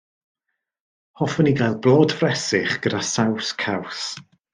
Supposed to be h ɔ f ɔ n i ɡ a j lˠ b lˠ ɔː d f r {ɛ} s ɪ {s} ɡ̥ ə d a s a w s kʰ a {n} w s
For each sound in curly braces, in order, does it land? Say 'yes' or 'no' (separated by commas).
yes, no, no